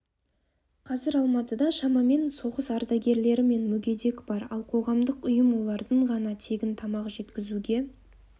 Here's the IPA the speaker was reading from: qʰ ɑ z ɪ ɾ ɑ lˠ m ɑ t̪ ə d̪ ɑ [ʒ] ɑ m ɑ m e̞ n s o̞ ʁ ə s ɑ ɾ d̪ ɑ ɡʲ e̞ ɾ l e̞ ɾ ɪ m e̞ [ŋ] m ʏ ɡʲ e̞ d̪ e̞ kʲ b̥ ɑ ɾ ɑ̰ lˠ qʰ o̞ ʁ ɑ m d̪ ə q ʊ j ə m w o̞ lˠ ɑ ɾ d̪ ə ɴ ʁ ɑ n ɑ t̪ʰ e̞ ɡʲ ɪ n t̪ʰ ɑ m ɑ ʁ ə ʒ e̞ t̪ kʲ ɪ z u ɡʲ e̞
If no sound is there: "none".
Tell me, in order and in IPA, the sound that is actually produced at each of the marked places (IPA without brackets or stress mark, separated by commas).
ʃ, n